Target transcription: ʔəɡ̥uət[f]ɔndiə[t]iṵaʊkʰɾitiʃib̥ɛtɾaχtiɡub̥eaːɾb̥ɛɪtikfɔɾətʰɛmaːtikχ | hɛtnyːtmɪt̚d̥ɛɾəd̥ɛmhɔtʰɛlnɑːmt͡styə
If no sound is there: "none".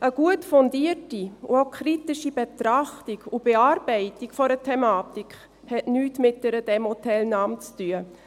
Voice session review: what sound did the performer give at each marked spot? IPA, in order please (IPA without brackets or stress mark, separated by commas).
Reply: f, t